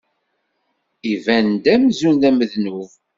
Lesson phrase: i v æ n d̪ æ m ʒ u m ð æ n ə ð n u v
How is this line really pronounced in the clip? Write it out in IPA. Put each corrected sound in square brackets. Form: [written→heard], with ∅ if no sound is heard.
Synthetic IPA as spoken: i v æ n d̪ æ m [ʒ→z] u [m→n] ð æ [n→m] ə ð n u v